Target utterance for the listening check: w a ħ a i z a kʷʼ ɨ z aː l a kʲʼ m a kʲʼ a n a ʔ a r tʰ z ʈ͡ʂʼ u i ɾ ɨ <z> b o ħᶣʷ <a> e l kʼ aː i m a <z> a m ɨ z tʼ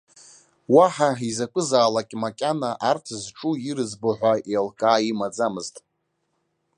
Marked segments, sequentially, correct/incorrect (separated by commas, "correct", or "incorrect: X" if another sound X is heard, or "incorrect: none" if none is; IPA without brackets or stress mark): correct, correct, incorrect: d͡z